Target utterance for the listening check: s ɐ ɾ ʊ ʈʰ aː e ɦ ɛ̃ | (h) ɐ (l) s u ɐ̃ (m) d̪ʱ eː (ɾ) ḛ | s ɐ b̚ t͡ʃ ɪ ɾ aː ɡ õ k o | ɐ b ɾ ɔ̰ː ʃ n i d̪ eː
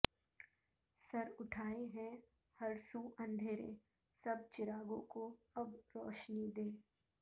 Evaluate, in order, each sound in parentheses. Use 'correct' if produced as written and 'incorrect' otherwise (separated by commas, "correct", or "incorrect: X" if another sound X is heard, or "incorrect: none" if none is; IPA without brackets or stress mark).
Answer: correct, incorrect: ɾ, incorrect: n, correct